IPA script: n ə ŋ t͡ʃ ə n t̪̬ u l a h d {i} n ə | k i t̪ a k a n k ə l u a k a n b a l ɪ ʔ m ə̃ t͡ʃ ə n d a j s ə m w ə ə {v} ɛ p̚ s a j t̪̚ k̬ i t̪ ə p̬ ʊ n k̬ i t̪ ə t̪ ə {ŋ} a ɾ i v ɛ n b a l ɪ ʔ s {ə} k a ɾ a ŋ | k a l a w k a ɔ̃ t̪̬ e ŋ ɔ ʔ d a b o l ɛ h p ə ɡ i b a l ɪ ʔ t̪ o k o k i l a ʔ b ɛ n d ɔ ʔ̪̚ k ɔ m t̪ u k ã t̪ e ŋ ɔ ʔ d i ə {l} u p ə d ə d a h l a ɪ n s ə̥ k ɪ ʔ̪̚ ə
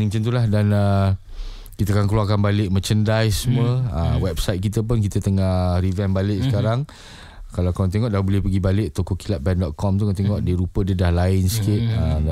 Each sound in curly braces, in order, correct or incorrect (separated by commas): incorrect, incorrect, correct, correct, incorrect